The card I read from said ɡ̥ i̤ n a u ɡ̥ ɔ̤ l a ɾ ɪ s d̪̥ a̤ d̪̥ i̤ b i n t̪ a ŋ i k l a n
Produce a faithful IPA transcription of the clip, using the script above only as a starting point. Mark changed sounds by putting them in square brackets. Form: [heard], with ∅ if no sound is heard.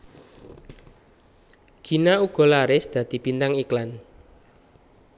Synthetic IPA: ɡ̥ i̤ n a u ɡ̥ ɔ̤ l a ɾ ɪ s d̪̥ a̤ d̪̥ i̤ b i n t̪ a ŋ i k l a n